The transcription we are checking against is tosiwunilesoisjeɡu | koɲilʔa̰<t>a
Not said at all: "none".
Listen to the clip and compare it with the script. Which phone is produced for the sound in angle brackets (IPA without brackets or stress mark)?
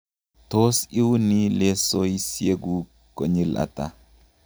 t